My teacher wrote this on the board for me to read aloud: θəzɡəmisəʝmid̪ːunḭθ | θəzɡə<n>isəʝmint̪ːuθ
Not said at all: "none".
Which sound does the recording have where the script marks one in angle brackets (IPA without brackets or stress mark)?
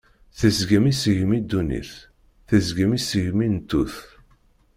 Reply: m